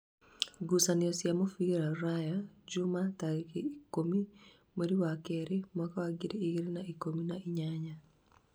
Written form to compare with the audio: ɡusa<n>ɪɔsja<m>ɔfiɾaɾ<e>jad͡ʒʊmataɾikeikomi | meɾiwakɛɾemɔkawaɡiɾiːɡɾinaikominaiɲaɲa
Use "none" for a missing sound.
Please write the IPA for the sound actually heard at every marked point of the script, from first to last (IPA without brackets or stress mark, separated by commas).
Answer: n, m, a